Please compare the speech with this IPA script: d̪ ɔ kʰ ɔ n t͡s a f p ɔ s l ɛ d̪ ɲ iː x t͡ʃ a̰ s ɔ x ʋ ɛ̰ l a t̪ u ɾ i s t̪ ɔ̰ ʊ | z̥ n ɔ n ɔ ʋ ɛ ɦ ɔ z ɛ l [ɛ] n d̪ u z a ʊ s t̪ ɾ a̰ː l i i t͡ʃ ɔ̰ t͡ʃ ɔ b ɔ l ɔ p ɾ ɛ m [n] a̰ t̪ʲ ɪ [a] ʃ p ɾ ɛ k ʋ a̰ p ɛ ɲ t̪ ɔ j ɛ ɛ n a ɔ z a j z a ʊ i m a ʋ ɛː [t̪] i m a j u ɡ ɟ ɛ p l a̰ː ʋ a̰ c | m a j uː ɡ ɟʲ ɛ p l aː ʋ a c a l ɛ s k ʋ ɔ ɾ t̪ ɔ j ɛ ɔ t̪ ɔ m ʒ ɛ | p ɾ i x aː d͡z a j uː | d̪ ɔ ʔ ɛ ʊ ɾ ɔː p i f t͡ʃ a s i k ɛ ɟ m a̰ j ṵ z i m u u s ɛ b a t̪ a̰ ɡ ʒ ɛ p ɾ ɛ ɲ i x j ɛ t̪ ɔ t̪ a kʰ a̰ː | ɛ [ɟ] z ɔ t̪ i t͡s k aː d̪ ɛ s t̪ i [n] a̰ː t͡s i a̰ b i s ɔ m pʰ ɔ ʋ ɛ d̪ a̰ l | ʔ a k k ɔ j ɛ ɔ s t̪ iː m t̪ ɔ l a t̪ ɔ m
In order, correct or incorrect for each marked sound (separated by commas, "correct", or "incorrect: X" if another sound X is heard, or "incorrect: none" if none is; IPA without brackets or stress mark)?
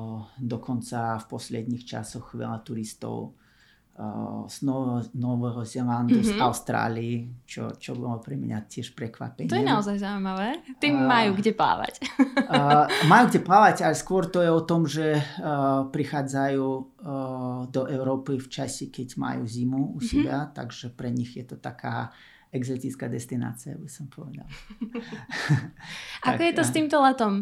incorrect: a, incorrect: ɲ, incorrect: ɛ, correct, incorrect: ɡ, correct